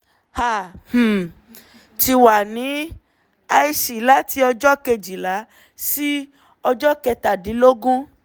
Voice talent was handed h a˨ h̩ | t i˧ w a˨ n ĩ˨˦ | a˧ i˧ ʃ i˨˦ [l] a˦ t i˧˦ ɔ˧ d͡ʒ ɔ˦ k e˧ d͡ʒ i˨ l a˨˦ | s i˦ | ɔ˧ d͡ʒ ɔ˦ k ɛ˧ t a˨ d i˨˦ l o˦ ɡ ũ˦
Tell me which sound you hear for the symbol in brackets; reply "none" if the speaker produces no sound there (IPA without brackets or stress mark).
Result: l